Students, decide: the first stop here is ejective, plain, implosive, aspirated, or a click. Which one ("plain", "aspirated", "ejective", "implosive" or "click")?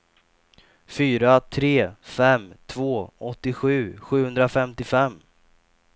aspirated